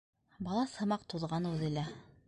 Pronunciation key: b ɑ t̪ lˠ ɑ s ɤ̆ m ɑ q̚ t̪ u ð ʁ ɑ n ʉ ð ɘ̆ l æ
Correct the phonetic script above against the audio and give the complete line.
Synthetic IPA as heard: b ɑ lˠ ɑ s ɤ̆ m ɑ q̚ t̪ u ð ʁ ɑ n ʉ ð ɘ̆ l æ